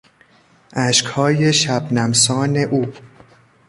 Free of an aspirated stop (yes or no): yes